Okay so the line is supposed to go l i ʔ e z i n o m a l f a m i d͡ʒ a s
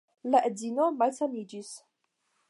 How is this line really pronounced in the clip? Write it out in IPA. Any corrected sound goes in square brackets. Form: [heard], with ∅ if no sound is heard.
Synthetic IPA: l [a] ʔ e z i n o m a l [s] a m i d͡ʒ [i] s